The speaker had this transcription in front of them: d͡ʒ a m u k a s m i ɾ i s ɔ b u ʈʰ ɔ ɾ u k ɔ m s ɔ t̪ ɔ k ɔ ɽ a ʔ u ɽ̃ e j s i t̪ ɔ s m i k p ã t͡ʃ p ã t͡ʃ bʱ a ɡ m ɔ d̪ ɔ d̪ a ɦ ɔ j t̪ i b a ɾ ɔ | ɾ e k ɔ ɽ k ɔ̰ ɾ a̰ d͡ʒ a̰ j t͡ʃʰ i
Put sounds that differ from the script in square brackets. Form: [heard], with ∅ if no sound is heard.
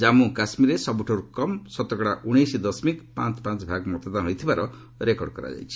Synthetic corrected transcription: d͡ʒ a m u k a s m i ɾ [e] s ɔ b u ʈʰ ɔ ɾ u k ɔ m s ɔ t̪ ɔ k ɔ ɽ a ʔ u ɽ̃ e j s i [d̪] ɔ s m i k p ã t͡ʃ p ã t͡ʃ bʱ a ɡ m ɔ [t̪] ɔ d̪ a ɦ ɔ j [t̪ʰ] i b a ɾ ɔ | ɾ e k ɔ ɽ k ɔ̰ ɾ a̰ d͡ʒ a̰ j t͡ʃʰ i